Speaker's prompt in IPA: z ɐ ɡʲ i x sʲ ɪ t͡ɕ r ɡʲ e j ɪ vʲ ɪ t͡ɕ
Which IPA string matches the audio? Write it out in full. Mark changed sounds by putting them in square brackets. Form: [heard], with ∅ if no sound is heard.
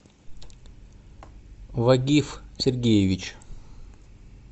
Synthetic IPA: [v] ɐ ɡʲ i [f] sʲ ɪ [∅] r ɡʲ e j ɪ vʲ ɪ t͡ɕ